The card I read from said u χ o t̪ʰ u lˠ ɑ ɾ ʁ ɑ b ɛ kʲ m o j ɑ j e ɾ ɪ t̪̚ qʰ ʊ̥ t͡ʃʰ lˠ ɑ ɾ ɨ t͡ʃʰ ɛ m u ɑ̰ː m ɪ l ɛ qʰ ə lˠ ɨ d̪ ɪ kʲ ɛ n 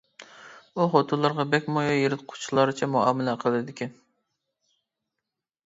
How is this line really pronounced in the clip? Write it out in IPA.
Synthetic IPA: u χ o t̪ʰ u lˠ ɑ ɾ ʁ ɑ b ɛ kʲ m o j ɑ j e ɾ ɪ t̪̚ qʰ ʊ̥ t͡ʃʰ lˠ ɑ ɾ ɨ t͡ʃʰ ɛ m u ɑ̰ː m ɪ l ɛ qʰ ə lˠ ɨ d̪ ɪ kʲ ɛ n